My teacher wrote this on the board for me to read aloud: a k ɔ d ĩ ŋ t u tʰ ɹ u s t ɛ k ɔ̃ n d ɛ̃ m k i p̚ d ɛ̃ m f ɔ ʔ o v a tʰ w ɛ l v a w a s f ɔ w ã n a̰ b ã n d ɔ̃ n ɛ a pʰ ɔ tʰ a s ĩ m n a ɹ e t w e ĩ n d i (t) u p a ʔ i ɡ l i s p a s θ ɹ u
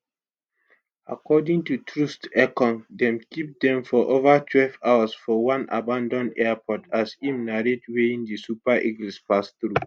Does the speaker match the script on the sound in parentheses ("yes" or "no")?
no